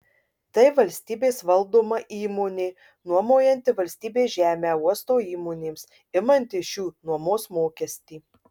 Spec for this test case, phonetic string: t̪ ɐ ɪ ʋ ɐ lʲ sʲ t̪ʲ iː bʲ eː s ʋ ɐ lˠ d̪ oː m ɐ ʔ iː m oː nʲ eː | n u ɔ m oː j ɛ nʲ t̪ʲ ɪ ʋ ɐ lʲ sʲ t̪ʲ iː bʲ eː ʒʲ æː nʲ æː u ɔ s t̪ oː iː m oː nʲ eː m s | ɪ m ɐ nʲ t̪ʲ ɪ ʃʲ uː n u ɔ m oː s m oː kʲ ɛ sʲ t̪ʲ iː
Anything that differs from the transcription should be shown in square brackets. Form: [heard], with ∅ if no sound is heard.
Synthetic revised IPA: t̪ ɐ ɪ ʋ ɐ lʲ sʲ t̪ʲ iː bʲ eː s ʋ ɐ lˠ d̪ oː m ɐ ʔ iː m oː nʲ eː | n u ɔ m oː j ɛ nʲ t̪ʲ ɪ ʋ ɐ lʲ sʲ t̪ʲ iː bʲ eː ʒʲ æː [mʲ] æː u ɔ s t̪ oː iː m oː nʲ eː m s | ɪ m ɐ nʲ t̪ʲ ɪ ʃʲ uː n u ɔ m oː s m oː kʲ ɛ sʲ t̪ʲ iː